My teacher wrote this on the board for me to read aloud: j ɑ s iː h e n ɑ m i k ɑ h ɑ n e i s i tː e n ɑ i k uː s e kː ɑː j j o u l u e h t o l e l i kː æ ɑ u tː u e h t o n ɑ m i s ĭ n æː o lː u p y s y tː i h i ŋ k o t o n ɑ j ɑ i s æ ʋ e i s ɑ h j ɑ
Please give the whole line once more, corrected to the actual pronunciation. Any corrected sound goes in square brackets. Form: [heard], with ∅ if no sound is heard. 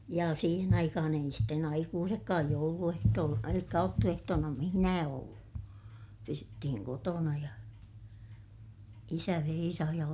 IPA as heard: j ɑ s iː h e n ɑ [∅] i k ɑ h ɑ n e i s i tː e n ɑ i k uː s e kː ɑː j j o u l u e h t [oː] l e l i kː æ ɑ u tː u e h t [oː] n ɑ m i [h] ĭ n æː o lː u p y s y tː i h i ŋ k o t o n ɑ j ɑ i s æ ʋ e i s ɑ h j ɑ